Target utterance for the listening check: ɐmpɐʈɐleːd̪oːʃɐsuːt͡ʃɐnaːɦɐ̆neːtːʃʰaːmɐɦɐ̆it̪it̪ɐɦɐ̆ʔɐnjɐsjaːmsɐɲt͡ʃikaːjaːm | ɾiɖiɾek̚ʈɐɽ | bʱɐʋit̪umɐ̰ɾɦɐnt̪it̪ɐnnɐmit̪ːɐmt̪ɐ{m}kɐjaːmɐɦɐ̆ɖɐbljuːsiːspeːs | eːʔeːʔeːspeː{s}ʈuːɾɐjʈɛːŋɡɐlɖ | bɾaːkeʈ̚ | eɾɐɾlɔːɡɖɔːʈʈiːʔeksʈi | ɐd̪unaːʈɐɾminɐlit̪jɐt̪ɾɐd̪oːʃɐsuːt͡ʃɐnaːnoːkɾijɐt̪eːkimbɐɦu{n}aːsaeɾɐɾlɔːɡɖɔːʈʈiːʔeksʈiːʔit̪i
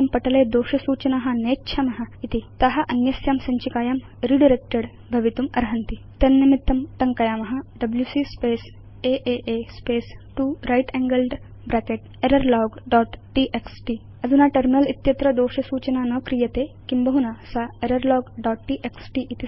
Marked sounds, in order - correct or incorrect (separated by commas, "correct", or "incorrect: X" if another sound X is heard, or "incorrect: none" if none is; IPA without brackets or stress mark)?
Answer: incorrect: ŋ, correct, correct